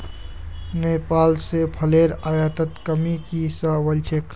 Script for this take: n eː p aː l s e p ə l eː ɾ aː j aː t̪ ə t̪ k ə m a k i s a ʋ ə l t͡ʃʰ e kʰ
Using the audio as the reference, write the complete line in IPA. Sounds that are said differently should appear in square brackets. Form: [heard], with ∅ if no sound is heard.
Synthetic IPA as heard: n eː p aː l s e [pʰ] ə l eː ɾ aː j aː t̪ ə t̪ k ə m [i] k i s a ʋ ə l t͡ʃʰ e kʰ